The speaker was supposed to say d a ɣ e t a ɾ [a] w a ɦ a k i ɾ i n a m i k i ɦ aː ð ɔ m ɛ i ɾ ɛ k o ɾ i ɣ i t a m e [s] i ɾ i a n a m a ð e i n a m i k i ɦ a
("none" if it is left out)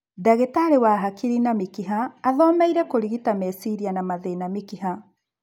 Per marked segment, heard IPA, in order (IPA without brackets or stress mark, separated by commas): e, s